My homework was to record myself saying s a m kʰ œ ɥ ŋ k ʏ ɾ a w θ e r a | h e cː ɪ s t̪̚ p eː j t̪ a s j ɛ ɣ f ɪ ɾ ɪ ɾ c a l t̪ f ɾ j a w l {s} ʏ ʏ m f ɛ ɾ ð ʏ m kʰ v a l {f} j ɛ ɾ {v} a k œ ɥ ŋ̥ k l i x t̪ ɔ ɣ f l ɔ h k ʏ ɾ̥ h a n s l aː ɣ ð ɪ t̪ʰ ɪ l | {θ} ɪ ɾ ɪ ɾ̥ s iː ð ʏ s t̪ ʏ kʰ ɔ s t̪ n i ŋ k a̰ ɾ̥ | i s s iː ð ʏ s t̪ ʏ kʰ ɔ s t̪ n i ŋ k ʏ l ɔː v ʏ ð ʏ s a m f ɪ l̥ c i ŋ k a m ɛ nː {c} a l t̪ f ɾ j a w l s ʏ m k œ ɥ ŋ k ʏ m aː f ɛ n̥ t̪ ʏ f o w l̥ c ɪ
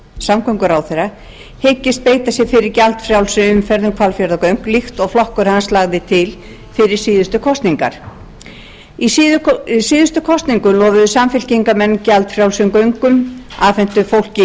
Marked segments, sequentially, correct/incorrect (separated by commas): correct, correct, incorrect, incorrect, correct